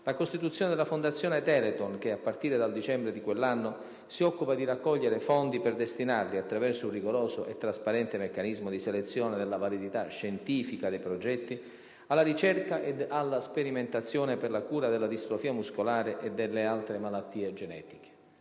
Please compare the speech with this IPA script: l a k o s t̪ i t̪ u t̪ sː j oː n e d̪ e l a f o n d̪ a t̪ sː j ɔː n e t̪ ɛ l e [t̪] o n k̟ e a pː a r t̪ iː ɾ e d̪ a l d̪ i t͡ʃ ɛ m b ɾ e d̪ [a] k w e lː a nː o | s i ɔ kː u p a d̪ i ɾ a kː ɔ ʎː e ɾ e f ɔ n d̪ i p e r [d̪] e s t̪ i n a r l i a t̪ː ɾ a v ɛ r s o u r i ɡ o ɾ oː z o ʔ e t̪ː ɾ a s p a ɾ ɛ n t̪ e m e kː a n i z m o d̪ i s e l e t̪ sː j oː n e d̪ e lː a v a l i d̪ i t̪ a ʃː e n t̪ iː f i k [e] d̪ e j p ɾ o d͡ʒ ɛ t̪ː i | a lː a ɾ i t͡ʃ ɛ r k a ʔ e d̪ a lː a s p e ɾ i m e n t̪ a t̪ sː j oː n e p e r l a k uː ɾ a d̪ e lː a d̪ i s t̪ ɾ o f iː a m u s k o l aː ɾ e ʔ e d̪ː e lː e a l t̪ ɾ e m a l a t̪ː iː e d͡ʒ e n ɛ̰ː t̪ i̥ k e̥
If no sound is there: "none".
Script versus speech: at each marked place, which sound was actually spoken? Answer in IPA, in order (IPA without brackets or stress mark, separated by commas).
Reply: t̪, i, d̪, a